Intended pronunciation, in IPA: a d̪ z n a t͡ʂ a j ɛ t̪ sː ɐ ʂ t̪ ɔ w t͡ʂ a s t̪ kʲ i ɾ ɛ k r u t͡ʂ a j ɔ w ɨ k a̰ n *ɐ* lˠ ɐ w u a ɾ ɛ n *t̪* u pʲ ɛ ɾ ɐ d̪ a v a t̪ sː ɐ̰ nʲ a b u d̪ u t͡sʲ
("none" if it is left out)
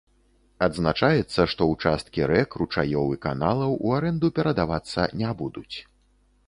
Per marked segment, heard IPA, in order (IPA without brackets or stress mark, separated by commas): a, d̪